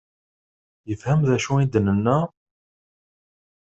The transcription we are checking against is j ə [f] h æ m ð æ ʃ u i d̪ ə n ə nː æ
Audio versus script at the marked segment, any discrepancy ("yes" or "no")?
no